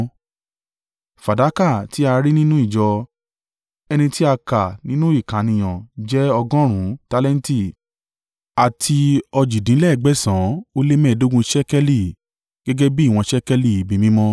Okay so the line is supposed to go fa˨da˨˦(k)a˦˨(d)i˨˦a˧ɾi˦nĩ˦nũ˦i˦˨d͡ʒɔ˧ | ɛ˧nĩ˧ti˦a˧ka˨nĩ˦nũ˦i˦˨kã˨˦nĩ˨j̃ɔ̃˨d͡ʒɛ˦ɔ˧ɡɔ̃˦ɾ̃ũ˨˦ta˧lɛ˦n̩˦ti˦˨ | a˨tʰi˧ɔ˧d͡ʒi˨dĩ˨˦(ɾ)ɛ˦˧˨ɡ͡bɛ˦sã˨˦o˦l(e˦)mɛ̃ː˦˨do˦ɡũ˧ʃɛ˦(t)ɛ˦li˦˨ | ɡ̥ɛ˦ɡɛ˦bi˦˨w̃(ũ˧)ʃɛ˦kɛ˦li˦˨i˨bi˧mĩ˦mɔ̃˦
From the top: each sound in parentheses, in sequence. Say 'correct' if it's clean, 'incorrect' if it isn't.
correct, incorrect: t, incorrect: l, correct, incorrect: k, incorrect: ɔ̃˧

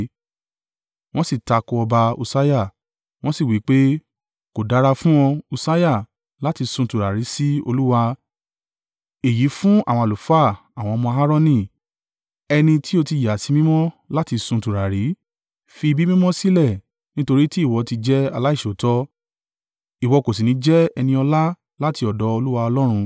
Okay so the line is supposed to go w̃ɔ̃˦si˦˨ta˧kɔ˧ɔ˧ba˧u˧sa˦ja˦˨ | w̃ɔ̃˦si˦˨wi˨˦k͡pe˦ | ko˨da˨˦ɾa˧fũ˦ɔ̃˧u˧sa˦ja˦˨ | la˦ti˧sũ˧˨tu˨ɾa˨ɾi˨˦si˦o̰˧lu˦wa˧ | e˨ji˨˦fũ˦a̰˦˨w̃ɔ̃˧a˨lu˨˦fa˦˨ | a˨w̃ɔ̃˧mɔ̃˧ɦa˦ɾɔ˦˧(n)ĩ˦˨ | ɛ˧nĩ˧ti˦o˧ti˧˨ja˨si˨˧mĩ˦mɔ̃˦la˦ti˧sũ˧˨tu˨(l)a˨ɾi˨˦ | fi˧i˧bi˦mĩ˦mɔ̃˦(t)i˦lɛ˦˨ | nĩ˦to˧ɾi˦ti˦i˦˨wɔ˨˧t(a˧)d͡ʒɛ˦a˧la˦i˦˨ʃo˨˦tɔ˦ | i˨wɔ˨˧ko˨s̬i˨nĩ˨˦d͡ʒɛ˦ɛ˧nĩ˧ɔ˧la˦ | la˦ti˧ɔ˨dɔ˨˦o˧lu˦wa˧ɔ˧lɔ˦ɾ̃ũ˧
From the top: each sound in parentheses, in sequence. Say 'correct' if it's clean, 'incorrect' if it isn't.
correct, incorrect: ɾ, incorrect: s, incorrect: i˧

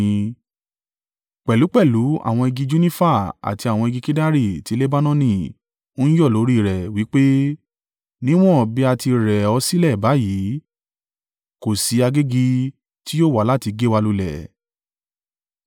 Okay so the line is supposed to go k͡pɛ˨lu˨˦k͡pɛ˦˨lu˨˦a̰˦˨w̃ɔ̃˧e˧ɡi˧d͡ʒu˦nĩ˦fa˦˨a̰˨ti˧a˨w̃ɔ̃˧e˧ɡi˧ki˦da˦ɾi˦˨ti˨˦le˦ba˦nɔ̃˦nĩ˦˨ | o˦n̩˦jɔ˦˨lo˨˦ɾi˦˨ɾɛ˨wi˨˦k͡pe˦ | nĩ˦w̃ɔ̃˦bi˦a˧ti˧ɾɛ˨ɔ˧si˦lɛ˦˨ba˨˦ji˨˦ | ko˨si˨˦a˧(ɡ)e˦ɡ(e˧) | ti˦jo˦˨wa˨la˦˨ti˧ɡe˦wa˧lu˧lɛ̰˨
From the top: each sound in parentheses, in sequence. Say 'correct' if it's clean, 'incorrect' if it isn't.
correct, incorrect: i˧

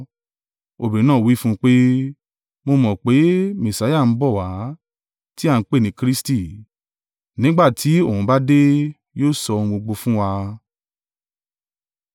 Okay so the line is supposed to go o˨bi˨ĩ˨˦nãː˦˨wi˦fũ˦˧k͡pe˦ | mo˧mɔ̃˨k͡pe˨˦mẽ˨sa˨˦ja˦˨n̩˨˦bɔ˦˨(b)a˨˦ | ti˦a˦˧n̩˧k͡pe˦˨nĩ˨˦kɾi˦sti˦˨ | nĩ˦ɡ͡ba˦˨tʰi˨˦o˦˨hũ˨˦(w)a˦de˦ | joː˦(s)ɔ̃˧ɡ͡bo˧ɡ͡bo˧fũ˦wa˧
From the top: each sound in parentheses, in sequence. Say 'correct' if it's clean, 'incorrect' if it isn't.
incorrect: w, incorrect: b, correct

